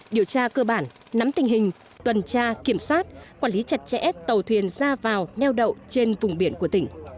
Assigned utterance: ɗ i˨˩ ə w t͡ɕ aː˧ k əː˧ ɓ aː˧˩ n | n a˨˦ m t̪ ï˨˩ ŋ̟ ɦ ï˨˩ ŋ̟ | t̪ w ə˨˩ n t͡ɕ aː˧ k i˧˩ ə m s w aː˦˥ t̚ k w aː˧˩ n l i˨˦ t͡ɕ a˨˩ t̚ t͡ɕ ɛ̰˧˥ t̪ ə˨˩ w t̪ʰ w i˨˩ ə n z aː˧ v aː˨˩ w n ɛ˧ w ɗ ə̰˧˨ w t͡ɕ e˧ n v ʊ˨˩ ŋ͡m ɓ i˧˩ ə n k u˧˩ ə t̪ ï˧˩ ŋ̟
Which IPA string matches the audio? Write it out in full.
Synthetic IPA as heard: ɗ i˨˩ ə w t͡ɕ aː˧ k əː˧ ɓ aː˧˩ n | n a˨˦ m t̪ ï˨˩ ŋ̟ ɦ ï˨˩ ŋ̟ | t̪ w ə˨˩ n t͡ɕ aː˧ k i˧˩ ə m s w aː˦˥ t̚ k w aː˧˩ n l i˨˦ t͡ɕ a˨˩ t̚ t͡ɕ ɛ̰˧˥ t̪ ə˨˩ w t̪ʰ w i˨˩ ə n z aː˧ v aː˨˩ w n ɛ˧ w ɗ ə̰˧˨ w t͡ɕ e˧ n v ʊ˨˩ ŋ͡m ɓ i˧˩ ə n k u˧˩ ə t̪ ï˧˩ ŋ̟